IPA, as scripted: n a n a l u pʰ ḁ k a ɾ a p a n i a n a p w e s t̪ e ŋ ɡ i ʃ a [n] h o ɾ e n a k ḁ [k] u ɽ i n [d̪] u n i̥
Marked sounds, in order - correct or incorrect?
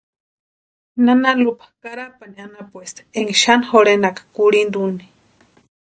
correct, correct, correct

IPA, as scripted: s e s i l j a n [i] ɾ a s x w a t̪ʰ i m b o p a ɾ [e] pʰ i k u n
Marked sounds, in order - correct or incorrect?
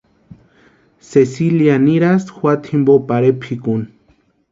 correct, correct

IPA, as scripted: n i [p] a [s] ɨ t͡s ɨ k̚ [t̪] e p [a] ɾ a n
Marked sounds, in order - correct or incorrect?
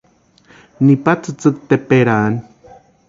correct, incorrect: t͡s, correct, incorrect: e

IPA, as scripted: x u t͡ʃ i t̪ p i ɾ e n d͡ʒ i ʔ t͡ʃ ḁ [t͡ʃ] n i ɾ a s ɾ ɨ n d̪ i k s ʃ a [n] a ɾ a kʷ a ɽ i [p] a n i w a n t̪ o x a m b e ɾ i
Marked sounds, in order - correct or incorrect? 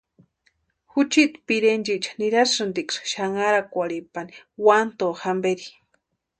incorrect: none, incorrect: ŋ, correct

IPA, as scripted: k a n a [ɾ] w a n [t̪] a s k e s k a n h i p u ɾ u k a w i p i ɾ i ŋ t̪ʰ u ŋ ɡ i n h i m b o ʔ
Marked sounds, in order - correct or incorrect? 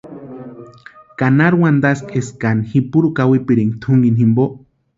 correct, incorrect: d̪

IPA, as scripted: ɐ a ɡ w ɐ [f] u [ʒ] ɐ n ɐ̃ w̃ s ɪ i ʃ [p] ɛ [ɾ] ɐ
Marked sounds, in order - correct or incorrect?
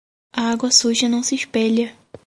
incorrect: s, correct, correct, incorrect: ʎ

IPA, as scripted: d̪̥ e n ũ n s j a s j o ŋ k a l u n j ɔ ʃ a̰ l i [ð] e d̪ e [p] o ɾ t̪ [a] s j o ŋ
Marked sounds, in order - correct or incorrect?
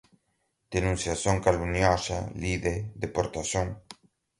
correct, correct, correct

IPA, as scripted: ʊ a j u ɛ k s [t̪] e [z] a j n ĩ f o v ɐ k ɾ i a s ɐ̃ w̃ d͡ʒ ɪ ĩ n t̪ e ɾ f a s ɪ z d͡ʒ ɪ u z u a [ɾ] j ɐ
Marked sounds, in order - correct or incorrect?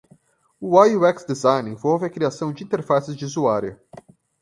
incorrect: d̪, correct, correct

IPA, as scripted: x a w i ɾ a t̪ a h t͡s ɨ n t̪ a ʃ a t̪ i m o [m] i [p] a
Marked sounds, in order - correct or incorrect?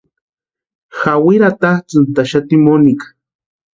incorrect: n, incorrect: k

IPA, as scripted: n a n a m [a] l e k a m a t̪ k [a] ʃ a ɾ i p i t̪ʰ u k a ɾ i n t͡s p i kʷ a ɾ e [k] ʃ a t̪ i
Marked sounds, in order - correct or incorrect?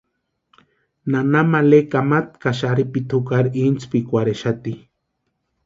correct, correct, incorrect: none

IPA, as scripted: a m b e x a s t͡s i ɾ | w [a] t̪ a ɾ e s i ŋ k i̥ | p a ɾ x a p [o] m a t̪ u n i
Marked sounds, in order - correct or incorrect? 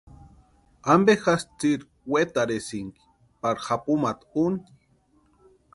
incorrect: e, incorrect: u

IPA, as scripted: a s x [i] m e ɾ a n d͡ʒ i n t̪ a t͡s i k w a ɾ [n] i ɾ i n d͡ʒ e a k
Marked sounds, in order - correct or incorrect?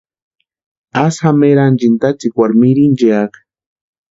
incorrect: a, incorrect: m

